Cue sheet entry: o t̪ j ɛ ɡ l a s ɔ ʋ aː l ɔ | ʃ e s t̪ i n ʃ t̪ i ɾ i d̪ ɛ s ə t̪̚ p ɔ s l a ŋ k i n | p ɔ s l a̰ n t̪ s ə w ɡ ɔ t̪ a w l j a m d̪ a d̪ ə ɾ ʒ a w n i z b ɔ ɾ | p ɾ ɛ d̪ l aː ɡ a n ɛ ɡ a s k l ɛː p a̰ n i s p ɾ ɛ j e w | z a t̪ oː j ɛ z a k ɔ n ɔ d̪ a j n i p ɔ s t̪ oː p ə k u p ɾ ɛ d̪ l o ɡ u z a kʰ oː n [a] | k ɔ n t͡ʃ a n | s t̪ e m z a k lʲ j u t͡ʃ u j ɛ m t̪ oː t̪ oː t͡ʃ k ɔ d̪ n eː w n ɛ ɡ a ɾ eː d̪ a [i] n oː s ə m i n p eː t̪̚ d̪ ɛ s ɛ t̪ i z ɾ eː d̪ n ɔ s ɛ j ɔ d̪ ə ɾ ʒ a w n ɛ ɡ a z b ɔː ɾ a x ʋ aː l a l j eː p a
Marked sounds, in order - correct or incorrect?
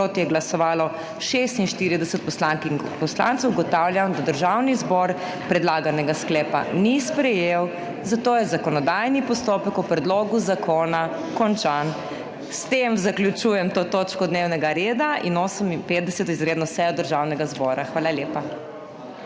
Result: correct, correct

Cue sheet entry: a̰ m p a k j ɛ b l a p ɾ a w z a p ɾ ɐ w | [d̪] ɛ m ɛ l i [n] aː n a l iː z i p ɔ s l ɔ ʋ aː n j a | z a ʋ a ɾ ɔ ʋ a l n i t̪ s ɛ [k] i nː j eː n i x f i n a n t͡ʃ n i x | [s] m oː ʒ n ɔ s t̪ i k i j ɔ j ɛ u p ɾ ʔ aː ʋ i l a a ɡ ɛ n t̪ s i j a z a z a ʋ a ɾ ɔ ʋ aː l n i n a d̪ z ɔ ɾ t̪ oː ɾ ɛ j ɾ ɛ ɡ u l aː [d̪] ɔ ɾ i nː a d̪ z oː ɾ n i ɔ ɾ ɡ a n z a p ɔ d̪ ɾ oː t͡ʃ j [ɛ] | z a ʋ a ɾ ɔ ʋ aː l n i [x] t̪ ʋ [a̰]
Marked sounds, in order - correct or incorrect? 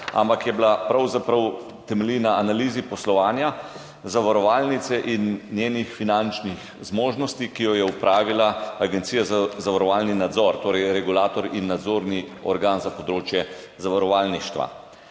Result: incorrect: t̪, correct, incorrect: ʔ, incorrect: z, incorrect: t̪, correct, incorrect: ʃ, correct

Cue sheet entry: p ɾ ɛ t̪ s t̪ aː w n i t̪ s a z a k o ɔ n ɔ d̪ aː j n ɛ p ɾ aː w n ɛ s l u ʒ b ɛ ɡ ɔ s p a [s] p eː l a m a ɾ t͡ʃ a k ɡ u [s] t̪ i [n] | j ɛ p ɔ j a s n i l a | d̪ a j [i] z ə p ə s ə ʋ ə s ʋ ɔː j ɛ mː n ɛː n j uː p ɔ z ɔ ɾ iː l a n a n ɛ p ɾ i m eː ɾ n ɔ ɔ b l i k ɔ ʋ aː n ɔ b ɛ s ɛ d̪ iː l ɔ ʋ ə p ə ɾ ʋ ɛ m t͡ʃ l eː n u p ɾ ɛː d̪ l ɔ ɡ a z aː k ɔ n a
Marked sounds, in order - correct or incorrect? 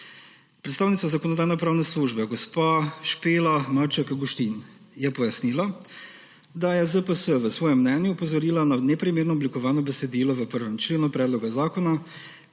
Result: incorrect: ʃ, incorrect: ʃ, correct, incorrect: ɛ

